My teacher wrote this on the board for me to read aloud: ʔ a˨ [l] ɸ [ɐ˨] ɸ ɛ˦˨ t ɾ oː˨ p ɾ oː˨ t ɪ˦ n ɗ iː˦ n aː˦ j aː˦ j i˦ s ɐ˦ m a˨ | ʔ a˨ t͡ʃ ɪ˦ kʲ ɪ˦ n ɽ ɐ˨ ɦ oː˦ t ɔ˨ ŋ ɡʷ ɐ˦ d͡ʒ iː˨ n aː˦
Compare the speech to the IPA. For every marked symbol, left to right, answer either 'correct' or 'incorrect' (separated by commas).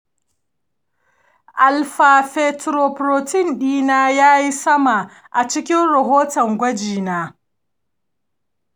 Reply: correct, incorrect